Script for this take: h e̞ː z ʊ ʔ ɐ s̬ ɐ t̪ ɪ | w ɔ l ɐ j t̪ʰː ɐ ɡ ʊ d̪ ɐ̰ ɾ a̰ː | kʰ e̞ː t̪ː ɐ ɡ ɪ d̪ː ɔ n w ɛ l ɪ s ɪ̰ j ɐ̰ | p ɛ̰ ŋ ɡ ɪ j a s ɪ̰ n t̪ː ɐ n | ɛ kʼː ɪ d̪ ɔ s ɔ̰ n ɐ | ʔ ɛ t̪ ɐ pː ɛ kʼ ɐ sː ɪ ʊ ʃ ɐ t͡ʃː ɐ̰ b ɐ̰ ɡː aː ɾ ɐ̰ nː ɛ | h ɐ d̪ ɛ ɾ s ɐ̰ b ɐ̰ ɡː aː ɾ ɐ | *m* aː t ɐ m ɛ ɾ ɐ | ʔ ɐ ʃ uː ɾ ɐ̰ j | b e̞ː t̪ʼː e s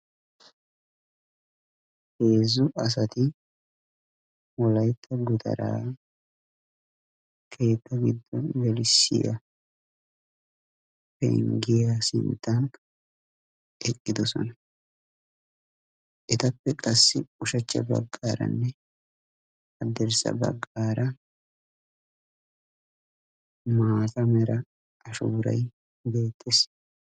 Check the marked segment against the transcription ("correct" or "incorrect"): correct